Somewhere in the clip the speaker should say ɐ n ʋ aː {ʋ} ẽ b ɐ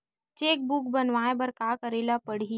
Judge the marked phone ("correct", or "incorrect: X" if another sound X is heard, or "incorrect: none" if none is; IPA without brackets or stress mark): incorrect: none